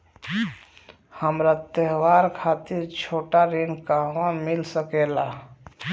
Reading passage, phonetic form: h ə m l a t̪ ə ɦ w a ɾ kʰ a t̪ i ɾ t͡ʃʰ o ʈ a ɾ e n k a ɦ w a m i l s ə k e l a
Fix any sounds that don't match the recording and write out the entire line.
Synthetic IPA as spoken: h ə m ɾ a t̪ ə ɦ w a ɾ kʰ a t̪ i ɾ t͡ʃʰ o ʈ a ɾ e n k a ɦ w a m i l s ə k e l a